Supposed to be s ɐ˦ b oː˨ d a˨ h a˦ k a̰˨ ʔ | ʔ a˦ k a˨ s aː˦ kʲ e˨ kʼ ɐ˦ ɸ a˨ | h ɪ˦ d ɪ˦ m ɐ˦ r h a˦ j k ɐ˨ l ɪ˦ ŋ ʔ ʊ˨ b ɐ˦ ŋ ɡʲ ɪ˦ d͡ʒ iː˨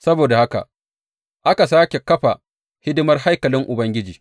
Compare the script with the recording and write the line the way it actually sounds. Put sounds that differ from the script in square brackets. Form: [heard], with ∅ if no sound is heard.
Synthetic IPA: s ɐ˦ b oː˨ d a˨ h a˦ k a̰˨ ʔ | ʔ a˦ k a˨ s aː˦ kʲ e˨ [k] ɐ˦ ɸ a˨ | h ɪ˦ d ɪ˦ m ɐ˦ r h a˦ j k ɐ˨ l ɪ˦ ŋ ʔ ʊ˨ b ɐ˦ ŋ ɡʲ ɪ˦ d͡ʒ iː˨